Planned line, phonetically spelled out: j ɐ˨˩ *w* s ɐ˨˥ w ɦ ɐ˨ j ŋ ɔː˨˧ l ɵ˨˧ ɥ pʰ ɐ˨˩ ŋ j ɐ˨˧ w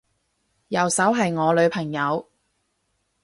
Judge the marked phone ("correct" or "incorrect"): correct